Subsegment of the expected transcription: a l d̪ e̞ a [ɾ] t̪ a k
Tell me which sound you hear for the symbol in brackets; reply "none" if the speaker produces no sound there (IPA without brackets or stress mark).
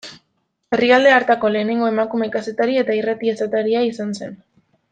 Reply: ɾ